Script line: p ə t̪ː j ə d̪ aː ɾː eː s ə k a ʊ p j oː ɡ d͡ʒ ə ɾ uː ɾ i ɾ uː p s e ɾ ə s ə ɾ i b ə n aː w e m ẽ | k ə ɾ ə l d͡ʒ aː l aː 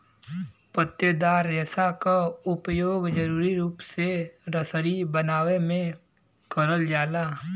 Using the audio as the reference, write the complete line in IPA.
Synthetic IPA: p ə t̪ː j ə d̪ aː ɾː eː s a k a ʊ p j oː ɡ d͡ʒ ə ɾ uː ɾ i ɾ uː p s e ɾ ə s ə ɾ i b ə n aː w e m ẽ | k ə ɾ ə l d͡ʒ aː l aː